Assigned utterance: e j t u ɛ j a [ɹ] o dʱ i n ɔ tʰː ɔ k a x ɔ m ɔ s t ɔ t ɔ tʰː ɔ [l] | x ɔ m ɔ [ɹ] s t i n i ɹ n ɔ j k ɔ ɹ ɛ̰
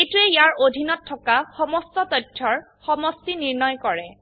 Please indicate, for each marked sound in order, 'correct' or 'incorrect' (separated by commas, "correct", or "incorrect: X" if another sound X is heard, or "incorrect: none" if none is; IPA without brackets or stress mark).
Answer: correct, incorrect: ɹ, incorrect: none